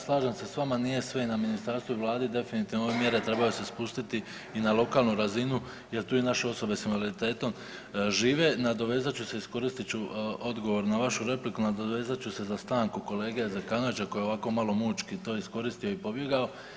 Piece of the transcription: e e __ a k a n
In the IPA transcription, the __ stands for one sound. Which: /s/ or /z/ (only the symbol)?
z